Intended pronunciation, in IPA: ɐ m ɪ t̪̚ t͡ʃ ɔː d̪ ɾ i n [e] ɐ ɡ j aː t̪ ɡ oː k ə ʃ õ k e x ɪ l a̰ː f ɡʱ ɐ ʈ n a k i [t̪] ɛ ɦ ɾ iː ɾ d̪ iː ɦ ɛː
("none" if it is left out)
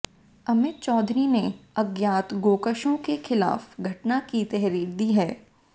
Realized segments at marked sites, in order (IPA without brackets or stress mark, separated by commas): e, t̪